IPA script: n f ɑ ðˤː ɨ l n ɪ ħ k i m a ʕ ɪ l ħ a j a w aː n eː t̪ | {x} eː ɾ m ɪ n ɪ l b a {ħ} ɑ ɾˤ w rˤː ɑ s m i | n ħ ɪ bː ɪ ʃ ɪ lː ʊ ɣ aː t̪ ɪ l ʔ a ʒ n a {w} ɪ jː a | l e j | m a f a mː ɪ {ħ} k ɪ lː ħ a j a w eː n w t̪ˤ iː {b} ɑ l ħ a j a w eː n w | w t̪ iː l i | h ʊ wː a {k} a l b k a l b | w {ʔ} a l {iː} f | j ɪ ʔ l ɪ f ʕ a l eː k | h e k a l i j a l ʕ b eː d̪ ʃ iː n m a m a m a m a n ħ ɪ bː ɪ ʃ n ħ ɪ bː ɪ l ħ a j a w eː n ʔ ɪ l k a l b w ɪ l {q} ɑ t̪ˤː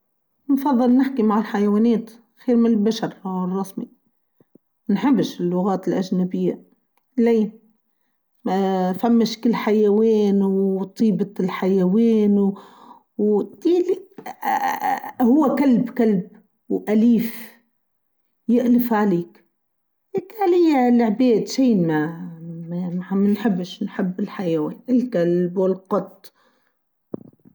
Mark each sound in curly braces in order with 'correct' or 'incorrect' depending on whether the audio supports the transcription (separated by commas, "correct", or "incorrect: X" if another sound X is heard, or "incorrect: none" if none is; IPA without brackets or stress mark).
correct, incorrect: ʃ, incorrect: b, incorrect: ʃ, correct, correct, correct, correct, correct